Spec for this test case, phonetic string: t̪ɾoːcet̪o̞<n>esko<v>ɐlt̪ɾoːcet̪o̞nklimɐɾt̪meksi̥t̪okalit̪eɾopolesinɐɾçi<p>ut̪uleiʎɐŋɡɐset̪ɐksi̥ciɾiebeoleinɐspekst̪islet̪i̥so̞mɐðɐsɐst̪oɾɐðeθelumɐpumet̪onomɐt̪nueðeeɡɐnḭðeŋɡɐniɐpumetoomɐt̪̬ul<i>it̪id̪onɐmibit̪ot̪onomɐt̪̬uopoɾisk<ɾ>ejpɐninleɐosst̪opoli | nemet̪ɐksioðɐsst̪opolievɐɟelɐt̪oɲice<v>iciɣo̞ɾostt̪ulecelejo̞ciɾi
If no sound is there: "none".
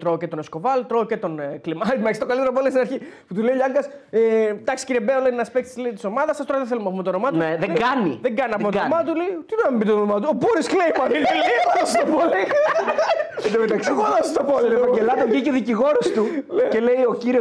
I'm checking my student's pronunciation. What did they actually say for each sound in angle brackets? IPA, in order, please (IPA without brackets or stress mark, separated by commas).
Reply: n, v, p, e, l, ð